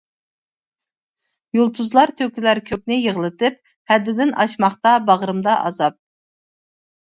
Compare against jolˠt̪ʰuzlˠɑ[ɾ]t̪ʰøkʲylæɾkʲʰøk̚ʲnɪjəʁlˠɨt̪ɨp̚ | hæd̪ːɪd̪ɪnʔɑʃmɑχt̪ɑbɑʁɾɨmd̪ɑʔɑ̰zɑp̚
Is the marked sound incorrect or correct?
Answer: correct